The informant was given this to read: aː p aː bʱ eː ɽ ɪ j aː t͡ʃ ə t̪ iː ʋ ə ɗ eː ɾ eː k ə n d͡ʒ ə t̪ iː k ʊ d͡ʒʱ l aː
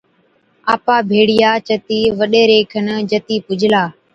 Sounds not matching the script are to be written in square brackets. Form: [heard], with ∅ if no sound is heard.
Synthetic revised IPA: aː p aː bʱ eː ɽ ɪ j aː t͡ʃ ə t̪ iː ʋ ə ɗ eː ɾ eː [kʰ] ə n d͡ʒ ə t̪ iː [p] ʊ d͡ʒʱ l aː